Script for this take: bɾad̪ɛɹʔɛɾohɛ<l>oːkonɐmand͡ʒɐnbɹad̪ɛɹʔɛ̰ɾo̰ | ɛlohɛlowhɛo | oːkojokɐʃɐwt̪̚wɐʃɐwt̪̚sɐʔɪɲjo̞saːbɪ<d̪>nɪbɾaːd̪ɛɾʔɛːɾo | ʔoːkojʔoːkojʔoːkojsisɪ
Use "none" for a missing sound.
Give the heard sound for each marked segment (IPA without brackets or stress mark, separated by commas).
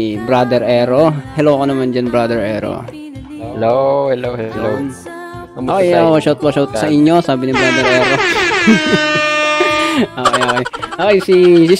l, none